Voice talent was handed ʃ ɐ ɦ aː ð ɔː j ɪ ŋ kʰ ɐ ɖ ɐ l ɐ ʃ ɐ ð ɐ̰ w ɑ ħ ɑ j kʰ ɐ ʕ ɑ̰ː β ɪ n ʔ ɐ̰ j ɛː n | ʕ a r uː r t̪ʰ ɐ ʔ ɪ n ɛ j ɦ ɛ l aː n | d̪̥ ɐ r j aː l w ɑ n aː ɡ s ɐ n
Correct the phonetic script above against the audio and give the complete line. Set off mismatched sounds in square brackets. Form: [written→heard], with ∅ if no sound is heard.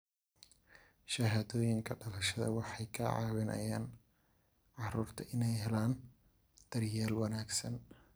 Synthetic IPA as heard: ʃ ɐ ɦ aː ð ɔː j ɪ ŋ kʰ ɐ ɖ ɐ l ɐ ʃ ɐ ð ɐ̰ w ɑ ħ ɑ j kʰ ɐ ʕ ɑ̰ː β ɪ n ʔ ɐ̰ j [ɛː→aː] n | ʕ [a→ɑ] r uː r t̪ʰ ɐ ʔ ɪ n ɛ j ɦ ɛ l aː n | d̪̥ ɐ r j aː l w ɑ n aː ɡ s ɐ n